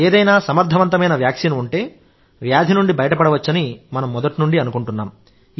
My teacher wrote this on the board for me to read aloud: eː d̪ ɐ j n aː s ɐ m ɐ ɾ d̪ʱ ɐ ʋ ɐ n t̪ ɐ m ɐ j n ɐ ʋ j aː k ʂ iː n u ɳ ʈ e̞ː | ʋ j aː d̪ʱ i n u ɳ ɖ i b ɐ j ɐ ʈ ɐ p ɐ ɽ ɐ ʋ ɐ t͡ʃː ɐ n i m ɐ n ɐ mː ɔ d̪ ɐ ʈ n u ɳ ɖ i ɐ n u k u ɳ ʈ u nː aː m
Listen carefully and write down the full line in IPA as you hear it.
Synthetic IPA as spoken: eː d̪ ɐ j n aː s ɐ m ɐ ɾ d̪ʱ ɐ ʋ ɐ n t̪ ɐ m ɐ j n ɐ ʋ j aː k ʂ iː n u ɳ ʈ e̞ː | ʋ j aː d̪ʱ i n u ɳ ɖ i b ɐ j ɐ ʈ ɐ p ɐ ɽ ɐ ʋ ɐ t͡ʃː ɐ n i m ɐ n ɐ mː ɔ d̪ ɐ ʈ n u ɳ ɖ i ɐ n u k u ɳ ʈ u nː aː m